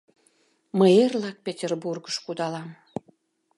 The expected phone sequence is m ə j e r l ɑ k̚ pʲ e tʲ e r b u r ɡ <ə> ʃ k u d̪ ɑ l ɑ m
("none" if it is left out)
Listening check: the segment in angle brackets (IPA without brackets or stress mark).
ə